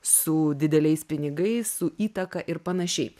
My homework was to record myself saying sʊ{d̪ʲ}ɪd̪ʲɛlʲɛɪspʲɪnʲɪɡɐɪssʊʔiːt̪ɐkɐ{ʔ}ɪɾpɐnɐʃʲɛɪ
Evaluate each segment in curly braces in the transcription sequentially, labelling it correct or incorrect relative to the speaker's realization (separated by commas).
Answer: correct, correct